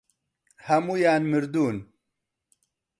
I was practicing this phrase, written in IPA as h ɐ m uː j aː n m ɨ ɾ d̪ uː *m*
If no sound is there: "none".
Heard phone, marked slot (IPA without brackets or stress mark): n